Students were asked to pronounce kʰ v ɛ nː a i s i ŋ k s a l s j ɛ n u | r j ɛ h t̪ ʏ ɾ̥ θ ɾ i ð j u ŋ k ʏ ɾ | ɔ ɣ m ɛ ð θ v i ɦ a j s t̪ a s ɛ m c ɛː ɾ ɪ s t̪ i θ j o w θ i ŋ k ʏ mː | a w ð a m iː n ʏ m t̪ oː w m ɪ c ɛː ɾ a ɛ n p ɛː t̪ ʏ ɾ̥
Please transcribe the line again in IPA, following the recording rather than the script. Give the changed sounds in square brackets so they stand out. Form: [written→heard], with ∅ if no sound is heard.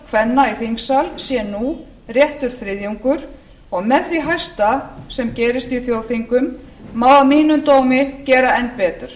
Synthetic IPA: kʰ v ɛ nː a i [s→θ] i ŋ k s a l s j ɛ n u | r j ɛ h t̪ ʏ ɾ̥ θ ɾ [i→ɪ] ð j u ŋ k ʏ ɾ | ɔ ɣ m ɛ ð θ v i ɦ a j s t̪ a s ɛ m c ɛː ɾ ɪ s t̪ i θ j o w θ i ŋ k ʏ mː | a w ð a m iː n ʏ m t̪ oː w m ɪ c ɛː ɾ a ɛ n p ɛː t̪ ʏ ɾ̥

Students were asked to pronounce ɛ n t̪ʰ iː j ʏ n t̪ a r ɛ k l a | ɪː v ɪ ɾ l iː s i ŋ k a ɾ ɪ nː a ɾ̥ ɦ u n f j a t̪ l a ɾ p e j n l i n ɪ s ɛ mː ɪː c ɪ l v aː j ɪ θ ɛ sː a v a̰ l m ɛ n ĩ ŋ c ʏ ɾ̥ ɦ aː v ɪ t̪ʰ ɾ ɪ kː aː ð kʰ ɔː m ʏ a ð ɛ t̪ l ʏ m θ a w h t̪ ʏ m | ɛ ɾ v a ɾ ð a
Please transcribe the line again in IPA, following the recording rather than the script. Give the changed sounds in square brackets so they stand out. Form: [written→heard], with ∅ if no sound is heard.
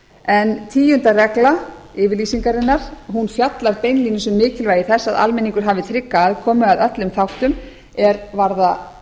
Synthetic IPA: ɛ n t̪ʰ iː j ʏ n t̪ a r ɛ k l a | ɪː v ɪ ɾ l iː s i ŋ k a ɾ ɪ nː a ɾ̥ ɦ u n f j a t̪ l a ɾ p e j n l i n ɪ s ɛ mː ɪː c ɪ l v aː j ɪ θ ɛ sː a [v→ð] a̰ l m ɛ n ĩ ŋ [c→k] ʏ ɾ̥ ɦ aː v ɪ t̪ʰ ɾ ɪ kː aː ð kʰ ɔː m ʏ a ð [ɛ→œ] t̪ l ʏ m θ a w h t̪ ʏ m | ɛ ɾ v a ɾ ð a

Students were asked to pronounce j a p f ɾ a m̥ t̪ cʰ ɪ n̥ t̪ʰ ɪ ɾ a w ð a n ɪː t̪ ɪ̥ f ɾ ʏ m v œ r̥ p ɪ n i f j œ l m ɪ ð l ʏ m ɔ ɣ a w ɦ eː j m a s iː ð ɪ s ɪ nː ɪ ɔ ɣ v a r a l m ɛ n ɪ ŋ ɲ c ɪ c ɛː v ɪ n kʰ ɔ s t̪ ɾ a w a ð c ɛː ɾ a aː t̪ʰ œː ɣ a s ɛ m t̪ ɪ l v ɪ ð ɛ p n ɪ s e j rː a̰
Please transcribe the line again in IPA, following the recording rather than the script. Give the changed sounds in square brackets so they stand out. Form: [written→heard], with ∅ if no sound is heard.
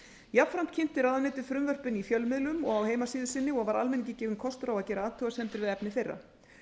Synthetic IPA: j a p f ɾ a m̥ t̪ cʰ ɪ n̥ [t̪ʰ→t̪] ɪ ɾ a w ð a n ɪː t̪ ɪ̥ f ɾ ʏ m v œ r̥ p ɪ n i f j œ l m ɪ ð l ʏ m ɔ ɣ a w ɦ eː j m a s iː ð ɪ s ɪ nː ɪ ɔ ɣ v a [r→ɾ] a l m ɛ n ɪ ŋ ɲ c ɪ c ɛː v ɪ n kʰ ɔ s t̪ ɾ a w a ð c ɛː ɾ a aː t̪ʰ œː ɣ a s ɛ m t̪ ɪ [l→ɾ] v ɪ ð ɛ p n ɪ [s→θ] e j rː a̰

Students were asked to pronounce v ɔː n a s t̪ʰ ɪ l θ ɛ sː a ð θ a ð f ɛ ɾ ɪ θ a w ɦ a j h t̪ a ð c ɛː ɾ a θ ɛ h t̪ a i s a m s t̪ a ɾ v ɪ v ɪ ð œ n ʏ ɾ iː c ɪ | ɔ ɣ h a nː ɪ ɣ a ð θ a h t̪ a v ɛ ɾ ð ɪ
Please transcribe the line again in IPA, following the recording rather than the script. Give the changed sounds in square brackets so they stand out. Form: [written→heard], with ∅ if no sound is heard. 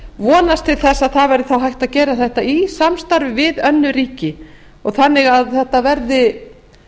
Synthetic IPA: v ɔː n a s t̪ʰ ɪ l θ ɛ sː a ð θ a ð [f→v] ɛ ɾ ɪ θ a w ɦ a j h t̪ a ð c ɛː ɾ a θ ɛ h t̪ a i s a m s t̪ a ɾ v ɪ v ɪ ð œ [n→nː] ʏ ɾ iː c ɪ | ɔ ɣ [h→θ] a nː ɪ ɣ a ð θ [a→ɛ] h t̪ a v ɛ ɾ ð ɪ

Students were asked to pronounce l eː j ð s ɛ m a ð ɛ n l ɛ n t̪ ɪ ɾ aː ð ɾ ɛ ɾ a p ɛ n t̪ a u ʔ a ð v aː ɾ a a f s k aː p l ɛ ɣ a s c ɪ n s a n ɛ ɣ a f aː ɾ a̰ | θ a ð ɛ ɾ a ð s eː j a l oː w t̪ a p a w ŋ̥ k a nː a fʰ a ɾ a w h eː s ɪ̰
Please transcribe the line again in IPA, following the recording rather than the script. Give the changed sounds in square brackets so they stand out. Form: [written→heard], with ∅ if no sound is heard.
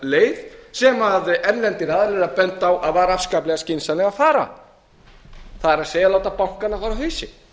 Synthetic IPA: l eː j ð s ɛ m a ð ɛ n l ɛ n t̪ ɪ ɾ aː ð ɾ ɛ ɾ a p ɛ n t̪ a [u→w] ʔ a ð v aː ɾ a a f s k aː p l ɛ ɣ a s c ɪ n s a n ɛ ɣ a f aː ɾ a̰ | θ a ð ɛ ɾ a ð s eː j a l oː w t̪ a p a w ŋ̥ k a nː a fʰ a ɾ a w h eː s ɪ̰

